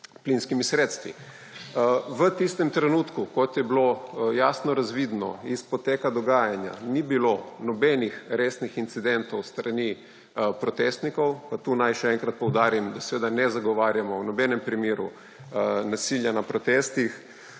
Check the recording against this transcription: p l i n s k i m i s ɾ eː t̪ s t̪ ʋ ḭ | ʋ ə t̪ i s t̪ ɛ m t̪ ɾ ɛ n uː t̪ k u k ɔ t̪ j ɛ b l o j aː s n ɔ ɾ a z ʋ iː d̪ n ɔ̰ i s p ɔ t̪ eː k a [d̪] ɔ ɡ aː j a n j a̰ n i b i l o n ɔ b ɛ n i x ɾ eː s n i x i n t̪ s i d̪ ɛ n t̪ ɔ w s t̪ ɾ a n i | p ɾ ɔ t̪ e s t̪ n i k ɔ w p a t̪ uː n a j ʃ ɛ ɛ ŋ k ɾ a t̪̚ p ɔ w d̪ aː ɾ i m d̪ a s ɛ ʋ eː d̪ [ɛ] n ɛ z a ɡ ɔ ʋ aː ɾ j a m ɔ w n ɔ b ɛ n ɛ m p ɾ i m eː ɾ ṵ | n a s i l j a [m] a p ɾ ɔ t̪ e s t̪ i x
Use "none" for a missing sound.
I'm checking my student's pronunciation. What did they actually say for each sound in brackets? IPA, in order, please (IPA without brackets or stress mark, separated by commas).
d̪, a, n